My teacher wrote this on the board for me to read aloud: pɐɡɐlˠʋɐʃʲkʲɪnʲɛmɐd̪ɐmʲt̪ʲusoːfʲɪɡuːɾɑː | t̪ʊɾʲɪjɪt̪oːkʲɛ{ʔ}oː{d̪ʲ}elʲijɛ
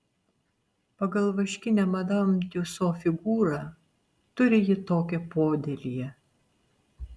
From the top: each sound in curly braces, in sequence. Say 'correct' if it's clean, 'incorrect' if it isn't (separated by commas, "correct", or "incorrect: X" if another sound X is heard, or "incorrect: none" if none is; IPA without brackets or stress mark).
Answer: incorrect: p, correct